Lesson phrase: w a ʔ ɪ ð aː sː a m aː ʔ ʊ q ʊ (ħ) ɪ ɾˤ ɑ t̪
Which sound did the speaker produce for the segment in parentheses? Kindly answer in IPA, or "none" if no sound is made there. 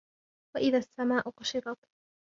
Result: ʃ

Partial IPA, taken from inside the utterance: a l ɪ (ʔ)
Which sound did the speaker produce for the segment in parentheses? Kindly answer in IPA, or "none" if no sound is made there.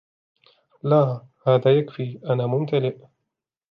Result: ʔ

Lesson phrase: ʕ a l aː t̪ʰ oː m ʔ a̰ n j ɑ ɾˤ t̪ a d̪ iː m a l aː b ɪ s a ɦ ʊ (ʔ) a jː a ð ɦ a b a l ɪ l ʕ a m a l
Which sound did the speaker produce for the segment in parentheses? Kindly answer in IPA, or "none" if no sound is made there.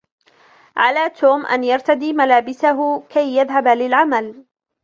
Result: k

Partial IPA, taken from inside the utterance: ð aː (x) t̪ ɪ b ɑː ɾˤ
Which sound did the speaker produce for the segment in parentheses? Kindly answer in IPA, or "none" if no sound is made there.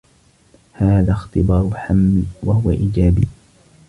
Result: x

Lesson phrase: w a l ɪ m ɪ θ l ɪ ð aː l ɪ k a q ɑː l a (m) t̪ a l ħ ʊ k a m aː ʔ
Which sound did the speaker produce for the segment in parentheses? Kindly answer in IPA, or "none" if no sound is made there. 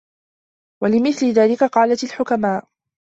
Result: none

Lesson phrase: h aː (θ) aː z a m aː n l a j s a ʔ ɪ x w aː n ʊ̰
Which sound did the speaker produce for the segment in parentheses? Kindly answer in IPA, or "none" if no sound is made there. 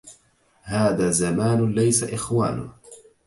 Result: ð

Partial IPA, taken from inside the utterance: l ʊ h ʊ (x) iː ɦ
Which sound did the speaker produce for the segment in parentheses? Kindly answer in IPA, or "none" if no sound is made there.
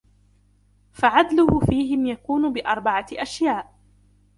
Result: f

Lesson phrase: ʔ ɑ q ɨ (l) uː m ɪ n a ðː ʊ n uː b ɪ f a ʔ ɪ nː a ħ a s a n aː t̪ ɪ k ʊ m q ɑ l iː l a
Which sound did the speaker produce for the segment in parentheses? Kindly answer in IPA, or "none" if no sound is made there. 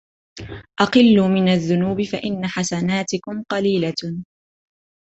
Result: lː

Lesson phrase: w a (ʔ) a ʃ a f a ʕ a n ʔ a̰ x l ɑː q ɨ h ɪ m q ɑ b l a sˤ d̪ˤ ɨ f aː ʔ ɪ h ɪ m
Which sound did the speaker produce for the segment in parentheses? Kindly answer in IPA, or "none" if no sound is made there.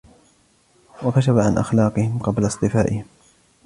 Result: k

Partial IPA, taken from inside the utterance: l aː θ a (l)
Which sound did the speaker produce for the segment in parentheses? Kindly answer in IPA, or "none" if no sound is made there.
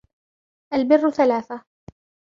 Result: none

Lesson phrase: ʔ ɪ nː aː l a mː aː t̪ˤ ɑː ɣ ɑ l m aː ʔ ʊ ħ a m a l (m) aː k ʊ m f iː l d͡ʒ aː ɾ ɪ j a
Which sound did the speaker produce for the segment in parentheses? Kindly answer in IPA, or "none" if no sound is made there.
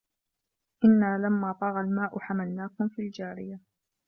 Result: n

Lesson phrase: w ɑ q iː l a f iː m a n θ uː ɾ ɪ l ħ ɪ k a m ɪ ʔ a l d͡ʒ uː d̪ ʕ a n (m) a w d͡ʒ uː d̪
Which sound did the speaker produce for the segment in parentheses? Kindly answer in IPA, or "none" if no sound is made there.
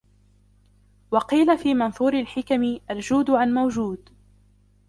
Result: m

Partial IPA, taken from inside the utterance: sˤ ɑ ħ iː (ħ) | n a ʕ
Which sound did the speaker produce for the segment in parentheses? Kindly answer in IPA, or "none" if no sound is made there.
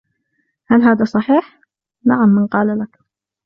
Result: ħ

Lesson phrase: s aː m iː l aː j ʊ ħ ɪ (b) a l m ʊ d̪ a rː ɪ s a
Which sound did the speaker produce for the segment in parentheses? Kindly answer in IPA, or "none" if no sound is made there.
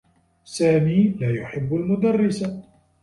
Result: bː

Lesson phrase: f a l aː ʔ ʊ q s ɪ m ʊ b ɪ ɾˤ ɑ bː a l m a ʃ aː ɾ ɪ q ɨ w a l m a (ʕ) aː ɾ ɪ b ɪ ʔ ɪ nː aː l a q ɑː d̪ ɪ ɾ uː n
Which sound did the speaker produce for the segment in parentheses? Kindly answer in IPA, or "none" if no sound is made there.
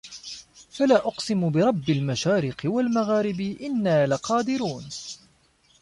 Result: ɣ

